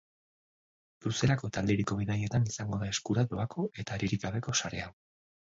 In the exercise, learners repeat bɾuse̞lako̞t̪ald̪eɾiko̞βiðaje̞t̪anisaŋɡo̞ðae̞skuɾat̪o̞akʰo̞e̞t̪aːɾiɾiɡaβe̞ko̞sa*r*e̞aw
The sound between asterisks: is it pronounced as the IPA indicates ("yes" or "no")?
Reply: no